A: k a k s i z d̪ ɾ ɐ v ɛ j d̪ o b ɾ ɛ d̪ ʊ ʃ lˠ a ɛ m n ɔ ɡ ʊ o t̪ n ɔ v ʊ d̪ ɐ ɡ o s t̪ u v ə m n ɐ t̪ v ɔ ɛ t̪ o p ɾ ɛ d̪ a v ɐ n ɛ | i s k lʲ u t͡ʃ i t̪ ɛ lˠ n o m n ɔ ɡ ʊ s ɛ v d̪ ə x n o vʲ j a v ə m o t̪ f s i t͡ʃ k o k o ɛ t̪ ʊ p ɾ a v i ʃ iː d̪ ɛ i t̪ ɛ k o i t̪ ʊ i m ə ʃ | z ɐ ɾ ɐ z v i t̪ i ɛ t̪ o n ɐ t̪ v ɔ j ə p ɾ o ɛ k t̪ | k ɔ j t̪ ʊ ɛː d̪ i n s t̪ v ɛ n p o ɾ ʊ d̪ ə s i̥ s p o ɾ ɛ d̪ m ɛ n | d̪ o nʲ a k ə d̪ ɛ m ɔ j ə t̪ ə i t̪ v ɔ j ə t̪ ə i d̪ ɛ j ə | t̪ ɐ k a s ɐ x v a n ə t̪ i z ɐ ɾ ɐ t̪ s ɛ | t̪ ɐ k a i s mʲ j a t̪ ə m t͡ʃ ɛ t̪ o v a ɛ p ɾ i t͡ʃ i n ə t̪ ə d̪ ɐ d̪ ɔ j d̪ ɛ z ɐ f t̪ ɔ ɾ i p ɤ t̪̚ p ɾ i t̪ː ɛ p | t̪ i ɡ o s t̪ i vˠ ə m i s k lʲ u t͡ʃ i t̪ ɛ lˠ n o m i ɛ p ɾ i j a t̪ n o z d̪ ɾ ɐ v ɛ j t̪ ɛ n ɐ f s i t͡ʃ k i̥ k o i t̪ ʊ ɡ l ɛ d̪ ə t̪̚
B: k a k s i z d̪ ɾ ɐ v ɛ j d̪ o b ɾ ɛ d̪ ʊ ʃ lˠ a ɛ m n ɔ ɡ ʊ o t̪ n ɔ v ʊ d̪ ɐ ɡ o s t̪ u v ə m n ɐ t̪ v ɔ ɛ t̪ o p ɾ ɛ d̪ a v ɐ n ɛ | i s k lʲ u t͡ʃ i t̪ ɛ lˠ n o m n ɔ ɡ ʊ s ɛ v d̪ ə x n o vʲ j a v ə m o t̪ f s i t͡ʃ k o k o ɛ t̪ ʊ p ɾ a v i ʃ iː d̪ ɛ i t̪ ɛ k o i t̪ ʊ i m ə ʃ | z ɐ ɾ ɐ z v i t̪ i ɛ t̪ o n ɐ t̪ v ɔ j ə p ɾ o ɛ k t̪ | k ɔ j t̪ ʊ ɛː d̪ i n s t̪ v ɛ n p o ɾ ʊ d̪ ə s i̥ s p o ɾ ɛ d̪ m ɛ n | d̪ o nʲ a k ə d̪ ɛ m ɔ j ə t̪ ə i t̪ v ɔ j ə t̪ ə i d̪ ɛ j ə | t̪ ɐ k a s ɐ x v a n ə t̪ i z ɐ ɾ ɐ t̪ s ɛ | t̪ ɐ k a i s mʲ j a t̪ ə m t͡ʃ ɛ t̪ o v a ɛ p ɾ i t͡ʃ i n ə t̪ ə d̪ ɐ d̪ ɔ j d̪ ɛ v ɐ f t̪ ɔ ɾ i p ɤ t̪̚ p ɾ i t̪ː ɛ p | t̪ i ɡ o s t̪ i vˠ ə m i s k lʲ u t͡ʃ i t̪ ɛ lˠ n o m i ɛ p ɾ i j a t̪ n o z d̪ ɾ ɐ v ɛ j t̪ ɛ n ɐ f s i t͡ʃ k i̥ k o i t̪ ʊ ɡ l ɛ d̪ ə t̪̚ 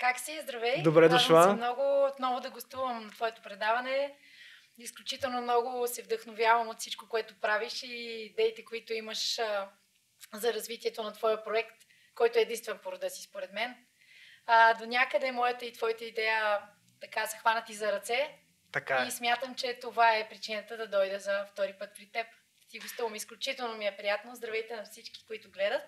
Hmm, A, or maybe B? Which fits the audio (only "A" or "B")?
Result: A